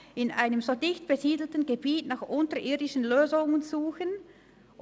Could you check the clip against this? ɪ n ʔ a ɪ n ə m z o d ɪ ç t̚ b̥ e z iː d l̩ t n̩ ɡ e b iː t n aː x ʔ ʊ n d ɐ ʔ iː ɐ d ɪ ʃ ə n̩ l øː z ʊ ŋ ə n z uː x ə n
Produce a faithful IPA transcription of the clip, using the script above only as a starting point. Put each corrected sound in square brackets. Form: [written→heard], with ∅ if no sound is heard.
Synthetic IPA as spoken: ɪ n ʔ a ɪ n ə m z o d ɪ ç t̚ b̥ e z iː d l̩ t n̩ ɡ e b iː t n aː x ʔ ʊ n [d→t] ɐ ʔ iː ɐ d ɪ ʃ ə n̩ l øː z ʊ ŋ ə n z uː x ə n